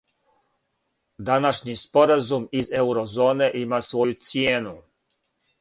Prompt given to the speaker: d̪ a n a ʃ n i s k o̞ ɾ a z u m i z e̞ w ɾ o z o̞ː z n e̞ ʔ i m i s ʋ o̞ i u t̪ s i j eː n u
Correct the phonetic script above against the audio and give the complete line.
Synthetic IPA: d̪ a n a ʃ ɲ i s p o̞ ɾ a z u m i z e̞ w ɾ o z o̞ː n e̞ ʔ i m a s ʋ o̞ j u t̪ s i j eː n u

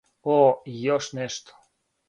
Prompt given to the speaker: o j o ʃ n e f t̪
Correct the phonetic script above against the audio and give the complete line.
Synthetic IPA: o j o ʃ n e ʃ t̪

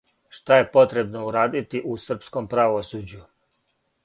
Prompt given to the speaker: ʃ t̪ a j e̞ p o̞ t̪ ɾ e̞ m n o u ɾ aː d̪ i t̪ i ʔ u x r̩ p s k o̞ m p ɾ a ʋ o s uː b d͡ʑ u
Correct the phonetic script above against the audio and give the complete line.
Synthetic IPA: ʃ t̪ a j e̞ p o̞ t̪ ɾ e̞ b n o u ɾ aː d̪ i t̪ i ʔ u s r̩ p s k o̞ m p ɾ a ʋ o s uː d͡ʑ u

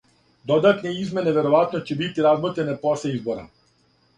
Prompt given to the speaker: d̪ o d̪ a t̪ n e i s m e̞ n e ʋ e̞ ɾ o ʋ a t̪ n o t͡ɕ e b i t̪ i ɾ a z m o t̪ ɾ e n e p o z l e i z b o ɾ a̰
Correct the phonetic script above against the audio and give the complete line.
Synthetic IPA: d̪ o d̪ a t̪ n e i z m e̞ n e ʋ e̞ ɾ o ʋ a t̪ n o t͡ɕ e b i t̪ i ɾ a z m o t̪ ɾ e n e p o s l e i z b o ɾ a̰

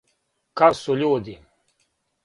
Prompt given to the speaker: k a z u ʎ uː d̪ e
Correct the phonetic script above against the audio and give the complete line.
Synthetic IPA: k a s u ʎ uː d̪ i

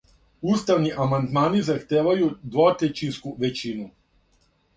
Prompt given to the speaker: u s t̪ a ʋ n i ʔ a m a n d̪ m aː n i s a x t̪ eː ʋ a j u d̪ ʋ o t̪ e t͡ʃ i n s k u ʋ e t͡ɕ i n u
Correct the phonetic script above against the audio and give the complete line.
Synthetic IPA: u s t̪ a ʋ n i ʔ a m a n d̪ m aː n i z a x t̪ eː ʋ a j u d̪ ʋ o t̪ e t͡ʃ i n s k u ʋ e t͡ɕ i n u

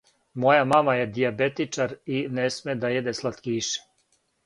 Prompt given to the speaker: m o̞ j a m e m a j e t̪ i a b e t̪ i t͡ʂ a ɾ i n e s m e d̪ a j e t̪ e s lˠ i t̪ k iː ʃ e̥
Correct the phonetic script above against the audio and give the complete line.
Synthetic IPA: m o̞ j a m a m a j e d̪ i a b e t̪ i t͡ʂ a ɾ i n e s m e d̪ a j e d̪ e s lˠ a t̪ k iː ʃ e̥

